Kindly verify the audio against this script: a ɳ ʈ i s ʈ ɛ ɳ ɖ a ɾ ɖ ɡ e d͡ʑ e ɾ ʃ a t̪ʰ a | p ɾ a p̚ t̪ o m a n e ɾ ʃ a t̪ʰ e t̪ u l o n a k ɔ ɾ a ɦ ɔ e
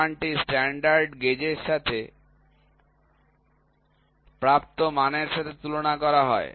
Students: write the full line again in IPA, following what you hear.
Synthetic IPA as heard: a ɳ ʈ i s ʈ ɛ ɳ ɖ a ɾ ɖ ɡ e d͡ʑ e ɾ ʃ a t̪ʰ e | p ɾ a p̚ t̪ o m a n e ɾ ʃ a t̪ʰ e t̪ u l o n a k ɔ ɾ a ɦ ɔ e

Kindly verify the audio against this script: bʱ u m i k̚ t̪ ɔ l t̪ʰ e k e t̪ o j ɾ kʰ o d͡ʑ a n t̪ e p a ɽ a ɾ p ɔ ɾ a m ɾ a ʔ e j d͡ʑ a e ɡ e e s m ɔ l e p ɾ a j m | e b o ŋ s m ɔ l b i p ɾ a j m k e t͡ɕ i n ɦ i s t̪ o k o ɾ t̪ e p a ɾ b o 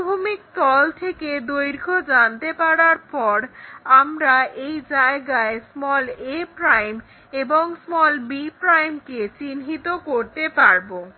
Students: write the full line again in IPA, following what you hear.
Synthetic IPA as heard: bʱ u m i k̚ t̪ ɔ l t̪ʰ e k e d̪ o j ɾ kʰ o d͡ʑ a n t̪ e p a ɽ a ɾ p ɔ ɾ a m ɾ a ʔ e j d͡ʑ a e ɡ a e s m ɔ l e p ɾ a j m | e b o ŋ s m ɔ l b i p ɾ a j m k e t͡ɕ i n ɦ i t̪ o k o ɾ t̪ e p a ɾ b o

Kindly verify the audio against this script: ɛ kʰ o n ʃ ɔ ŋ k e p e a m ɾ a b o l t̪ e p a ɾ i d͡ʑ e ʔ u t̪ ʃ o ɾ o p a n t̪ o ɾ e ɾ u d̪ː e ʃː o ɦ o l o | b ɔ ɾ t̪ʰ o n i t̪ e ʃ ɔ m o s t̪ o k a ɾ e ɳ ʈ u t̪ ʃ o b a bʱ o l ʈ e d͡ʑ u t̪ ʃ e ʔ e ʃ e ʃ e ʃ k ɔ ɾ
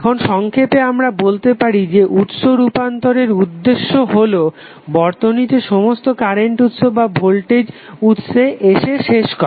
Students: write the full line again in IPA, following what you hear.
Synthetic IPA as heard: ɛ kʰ o n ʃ ɔ ŋ kʰ e p e a m ɾ a b o l t̪ e p a ɾ i d͡ʑ e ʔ u t̪ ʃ o ɾ u p a n t̪ o ɾ e ɾ u d̪ː e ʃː o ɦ o l o | b ɔ ɾ t̪ o n i t̪ e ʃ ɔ m o s t̪ o k a ɾ e ɳ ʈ u t̪ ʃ o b a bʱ o l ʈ e d͡ʑ u t̪ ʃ e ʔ e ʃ e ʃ e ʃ k ɔ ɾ

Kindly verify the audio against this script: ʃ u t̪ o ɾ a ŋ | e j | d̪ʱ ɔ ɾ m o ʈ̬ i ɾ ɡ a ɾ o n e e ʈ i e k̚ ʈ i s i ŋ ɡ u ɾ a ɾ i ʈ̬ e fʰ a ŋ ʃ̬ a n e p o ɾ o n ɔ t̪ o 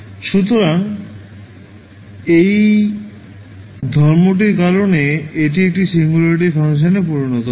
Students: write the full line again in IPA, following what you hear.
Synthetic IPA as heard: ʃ u t̪ o ɾ a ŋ | e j | d̪ʱ ɔ ɾ m o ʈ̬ i ɾ k a ɾ o n e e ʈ i e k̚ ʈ i s i ŋ ɡ u l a ɾ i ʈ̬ i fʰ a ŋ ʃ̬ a n e p u ɾ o n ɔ t̪ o

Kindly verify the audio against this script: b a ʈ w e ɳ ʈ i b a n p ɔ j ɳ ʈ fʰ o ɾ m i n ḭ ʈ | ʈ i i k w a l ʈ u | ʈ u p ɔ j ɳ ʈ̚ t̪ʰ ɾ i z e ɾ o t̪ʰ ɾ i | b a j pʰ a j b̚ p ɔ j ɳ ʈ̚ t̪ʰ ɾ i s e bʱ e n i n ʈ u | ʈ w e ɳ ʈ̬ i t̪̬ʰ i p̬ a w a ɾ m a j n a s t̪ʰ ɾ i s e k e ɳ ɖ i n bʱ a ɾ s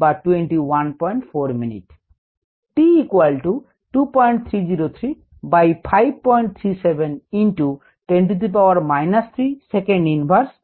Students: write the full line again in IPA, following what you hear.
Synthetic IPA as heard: b a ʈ w e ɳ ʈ i w a n p ɔ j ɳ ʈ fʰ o ɾ m i n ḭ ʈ | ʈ i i k w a l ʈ u | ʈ u p ɔ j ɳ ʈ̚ t̪ʰ ɾ i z i ɾ o t̪ʰ ɾ i | b a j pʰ a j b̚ p ɔ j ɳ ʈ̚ t̪ʰ ɾ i s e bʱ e n i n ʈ u | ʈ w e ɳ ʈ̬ i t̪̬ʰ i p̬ a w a ɾ m a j n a s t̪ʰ ɾ i s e k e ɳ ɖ i n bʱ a ɾ s

